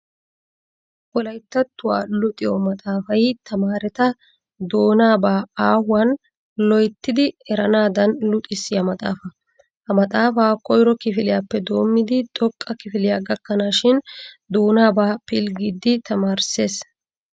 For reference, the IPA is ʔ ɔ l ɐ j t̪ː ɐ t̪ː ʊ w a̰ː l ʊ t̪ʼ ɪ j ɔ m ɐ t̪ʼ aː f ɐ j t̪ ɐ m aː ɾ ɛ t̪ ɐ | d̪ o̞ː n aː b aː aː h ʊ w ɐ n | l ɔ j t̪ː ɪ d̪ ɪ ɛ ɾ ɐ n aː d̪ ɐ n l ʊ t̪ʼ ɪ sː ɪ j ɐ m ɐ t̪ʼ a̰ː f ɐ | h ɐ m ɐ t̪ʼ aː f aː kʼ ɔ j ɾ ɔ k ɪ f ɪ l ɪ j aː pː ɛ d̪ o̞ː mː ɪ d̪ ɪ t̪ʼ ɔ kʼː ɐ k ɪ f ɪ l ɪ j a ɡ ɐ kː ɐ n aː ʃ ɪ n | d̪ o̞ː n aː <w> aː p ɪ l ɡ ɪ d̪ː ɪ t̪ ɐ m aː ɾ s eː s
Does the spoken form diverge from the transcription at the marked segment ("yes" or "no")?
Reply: yes